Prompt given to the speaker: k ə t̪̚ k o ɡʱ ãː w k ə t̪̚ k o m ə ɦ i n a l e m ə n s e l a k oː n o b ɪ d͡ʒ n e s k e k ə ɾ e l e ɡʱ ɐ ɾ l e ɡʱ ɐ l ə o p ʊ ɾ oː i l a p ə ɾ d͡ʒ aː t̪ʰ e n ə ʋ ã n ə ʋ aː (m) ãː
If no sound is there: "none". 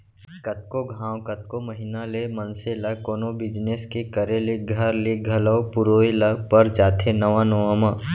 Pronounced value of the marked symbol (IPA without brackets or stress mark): m